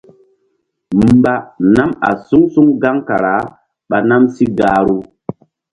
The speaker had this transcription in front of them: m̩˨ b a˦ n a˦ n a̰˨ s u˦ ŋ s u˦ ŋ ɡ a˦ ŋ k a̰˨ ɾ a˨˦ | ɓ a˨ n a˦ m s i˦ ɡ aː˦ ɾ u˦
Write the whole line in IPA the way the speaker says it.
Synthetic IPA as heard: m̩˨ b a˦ n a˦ m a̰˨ s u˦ ŋ s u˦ ŋ ɡ a˦ ŋ k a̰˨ ɾ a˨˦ | ɓ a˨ n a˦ m s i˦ ɡ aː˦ ɾ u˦